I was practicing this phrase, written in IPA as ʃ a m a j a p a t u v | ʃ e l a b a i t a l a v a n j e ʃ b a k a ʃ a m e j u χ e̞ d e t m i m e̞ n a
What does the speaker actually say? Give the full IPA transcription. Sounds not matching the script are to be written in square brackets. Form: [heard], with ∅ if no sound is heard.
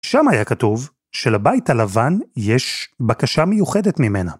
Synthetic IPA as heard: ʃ a m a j a [k] a t u v | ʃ e l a b a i t a l a v a n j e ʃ b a k a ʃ a m e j u χ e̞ d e t m i m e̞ n a